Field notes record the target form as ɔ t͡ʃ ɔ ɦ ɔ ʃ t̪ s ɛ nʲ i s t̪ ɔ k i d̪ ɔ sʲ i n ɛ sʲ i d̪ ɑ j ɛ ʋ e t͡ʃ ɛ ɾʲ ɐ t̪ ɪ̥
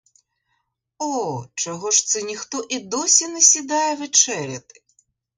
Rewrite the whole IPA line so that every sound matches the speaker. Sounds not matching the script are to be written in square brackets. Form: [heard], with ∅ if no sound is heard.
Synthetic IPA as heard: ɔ t͡ʃ ɔ ɦ ɔ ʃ t̪ s ɛ nʲ i [x] t̪ ɔ [ʔ] i d̪ ɔ sʲ i n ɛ sʲ i d̪ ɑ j ɛ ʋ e t͡ʃ ɛ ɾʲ ɐ t̪ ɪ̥